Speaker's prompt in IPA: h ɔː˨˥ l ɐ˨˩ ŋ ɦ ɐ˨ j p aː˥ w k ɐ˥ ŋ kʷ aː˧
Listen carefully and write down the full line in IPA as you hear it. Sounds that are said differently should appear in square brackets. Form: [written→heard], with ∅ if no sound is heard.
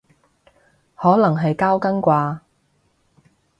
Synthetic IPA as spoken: h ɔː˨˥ l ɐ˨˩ ŋ ɦ ɐ˨ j [p→k] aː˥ w k ɐ˥ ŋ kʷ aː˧